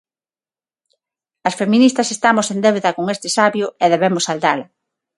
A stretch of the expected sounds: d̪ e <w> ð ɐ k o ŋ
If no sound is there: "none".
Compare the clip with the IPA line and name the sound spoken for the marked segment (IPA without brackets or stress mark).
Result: w